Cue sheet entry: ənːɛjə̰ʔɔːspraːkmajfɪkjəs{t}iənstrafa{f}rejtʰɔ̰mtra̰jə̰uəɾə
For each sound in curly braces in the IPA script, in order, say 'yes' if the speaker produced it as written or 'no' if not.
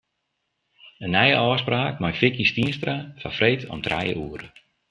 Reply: yes, yes

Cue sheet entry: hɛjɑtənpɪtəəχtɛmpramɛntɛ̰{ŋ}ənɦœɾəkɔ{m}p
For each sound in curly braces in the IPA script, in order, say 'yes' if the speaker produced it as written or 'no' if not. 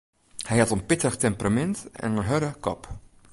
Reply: no, no

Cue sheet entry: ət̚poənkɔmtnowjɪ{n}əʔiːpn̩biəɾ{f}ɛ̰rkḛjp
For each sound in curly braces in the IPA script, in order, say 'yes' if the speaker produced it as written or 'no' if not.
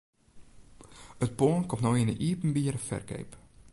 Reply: yes, yes

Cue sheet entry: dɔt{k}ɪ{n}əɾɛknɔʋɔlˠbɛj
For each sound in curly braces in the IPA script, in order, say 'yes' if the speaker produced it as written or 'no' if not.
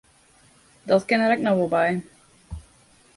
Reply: yes, yes

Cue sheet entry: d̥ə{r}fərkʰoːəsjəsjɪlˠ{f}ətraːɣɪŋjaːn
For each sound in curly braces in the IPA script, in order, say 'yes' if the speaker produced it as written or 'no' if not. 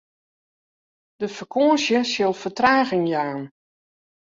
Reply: no, yes

